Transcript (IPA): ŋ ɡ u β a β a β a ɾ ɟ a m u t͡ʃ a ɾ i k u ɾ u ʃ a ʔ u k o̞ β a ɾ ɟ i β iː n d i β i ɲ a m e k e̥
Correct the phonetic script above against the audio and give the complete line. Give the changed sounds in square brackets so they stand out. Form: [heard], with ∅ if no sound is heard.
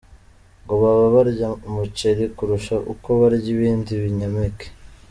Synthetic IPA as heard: ŋ ɡ [o] β a β a β a ɾ ɟ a m u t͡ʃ [e] ɾ i k u ɾ u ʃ a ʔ u k o̞ β a ɾ ɟ i β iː n d i β i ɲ a m e k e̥